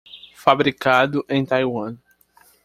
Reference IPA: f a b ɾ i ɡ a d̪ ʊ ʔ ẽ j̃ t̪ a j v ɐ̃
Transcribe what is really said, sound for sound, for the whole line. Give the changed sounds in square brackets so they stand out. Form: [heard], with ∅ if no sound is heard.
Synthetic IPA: f a b ɾ i [k] a d̪ ʊ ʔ ẽ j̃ t̪ a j [w] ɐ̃